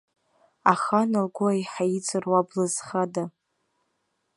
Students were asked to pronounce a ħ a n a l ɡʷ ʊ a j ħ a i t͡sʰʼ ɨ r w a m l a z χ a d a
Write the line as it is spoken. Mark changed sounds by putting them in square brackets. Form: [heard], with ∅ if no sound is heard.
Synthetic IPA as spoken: a [χ] a n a l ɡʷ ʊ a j ħ a i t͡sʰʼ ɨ r w a [b] l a z χ a d a